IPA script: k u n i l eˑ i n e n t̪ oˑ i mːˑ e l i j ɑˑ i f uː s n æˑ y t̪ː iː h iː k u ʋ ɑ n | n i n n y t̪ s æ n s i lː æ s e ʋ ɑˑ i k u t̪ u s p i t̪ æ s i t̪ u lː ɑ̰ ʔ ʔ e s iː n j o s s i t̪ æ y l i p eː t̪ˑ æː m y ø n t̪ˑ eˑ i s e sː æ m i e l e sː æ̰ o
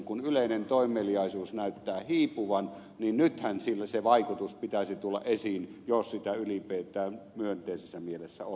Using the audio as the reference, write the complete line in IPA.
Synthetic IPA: k u n y l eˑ i n e n t̪ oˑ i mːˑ e l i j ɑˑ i s uː s n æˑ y t̪ː æː h iː p u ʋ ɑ n | n i n n y t̪ h æ n s i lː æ s e ʋ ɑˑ i k u t̪ u s p i t̪ æ s i t̪ u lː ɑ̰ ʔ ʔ e s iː n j o s s i t̪ æ y l i p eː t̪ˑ æː m y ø n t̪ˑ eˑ i s e sː æ m i e l e sː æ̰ o

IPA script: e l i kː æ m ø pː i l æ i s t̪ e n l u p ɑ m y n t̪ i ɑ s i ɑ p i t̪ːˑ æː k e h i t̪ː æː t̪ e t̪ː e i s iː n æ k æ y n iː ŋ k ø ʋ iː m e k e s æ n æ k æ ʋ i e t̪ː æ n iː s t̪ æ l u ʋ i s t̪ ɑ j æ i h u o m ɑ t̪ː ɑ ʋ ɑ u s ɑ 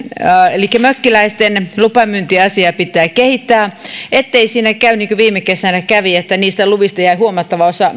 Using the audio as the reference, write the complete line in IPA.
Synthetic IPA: e l i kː æ m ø kː i l æ i s t̪ e n l u p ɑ m y n t̪ i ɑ s i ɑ p i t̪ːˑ æː k e h i t̪ː æː e t̪ː e i s iː n æ k æ y n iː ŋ k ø ʋ iː m e k e s æ n æ k æ ʋ i e t̪ː æ n iː s t̪ æ l u ʋ i s t̪ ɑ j æ i h u o m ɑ t̪ː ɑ ʋ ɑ o s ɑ

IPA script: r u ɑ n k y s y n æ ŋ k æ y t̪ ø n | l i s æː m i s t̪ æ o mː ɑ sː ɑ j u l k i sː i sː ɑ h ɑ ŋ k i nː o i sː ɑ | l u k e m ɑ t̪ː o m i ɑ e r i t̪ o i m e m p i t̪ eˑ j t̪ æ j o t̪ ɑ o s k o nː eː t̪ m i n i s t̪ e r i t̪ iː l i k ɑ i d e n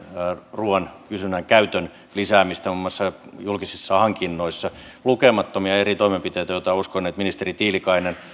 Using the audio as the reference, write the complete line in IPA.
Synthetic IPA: r u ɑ n k y s y n æ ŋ k æ y t̪ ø n | l i s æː m i s t̪ æ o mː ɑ sː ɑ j u l k i s i sː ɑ h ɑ ŋ k i nː o i sː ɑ | l u k e m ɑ t̪ː o m i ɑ e r i t̪ o i m e m p i t̪ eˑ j t̪ æ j o t̪ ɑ u s k o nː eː t̪ m i n i s t̪ e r i t̪ iː l i k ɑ i n e n

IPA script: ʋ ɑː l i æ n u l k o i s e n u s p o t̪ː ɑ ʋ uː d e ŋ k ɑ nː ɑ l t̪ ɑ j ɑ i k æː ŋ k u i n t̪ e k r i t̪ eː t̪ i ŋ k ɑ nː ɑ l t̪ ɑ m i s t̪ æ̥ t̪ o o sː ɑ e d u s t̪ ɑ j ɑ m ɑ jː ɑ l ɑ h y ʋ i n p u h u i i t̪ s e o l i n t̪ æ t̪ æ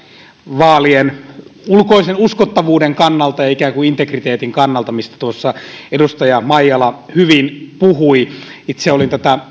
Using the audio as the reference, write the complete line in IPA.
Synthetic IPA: ʋ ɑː l i e n u l k o i s e n u s k o t̪ː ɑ ʋ uː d e ŋ k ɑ nː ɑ l t̪ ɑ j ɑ i k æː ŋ k u i n t̪ e k r i t̪ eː t̪ i ŋ k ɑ nː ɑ l t̪ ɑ m i s t̪ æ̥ t̪ u o sː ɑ e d u s t̪ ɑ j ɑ m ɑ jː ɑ l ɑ h y ʋ i n p u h u i i t̪ s e o l i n t̪ æ t̪ æ

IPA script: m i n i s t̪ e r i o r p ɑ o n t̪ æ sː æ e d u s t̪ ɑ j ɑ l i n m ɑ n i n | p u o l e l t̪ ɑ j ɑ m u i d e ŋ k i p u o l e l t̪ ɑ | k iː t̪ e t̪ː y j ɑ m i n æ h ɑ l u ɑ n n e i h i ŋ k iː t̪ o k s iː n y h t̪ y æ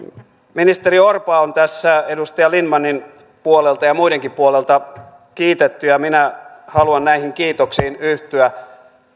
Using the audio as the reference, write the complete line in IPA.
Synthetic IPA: m i n i s t̪ e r i o r p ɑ o n t̪ æ sː æ e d u s t̪ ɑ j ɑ l i n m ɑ n i n | p u o l e l t̪ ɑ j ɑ m u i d e ŋ k i p u o l e l t̪ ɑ | k iː t̪ e t̪ː y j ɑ m i n æ h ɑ l u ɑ n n æ i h i ŋ k iː t̪ o k s iː n y h t̪ y æ

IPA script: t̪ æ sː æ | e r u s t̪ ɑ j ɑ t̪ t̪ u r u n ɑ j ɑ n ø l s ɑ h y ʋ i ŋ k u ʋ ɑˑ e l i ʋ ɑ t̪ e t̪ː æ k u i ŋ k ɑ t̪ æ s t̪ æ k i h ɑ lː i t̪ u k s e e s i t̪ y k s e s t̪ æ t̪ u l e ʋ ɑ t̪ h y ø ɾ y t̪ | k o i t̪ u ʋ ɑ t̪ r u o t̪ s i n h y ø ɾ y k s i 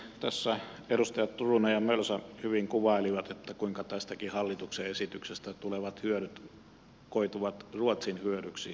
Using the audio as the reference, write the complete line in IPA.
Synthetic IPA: t̪ æ sː æ | e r u s t̪ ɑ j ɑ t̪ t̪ u r u n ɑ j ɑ m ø l s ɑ h y ʋ i ŋ k u ʋ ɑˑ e l i ʋ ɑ t̪ e t̪ː æ k u i ŋ k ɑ t̪ æ s t̪ æ k i h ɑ lː i t̪ u k s e e s i t̪ y k s e s t̪ æ t̪ u l e ʋ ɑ t̪ h y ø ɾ y t̪ | k o i t̪ u ʋ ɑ t̪ r u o t̪ s i n h y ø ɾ y k s i

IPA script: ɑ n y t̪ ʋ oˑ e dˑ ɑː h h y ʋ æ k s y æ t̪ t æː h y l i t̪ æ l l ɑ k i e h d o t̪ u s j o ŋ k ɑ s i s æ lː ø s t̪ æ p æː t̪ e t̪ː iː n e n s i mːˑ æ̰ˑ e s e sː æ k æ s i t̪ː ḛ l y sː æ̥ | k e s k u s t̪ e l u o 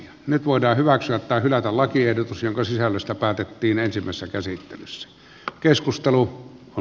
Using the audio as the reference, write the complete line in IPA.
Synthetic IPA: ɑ n y t̪ ʋ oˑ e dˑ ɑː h h y ʋ æ k s y æ t̪ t æː h y l æ t̪ æ l l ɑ k i e h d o t̪ u s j o ŋ k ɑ s i s æ lː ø s t̪ æ p æː t̪ e t̪ː iː n e n s i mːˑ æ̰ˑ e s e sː æ k æ s i t̪ː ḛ l y sː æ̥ | k e s k u s t̪ e l u o

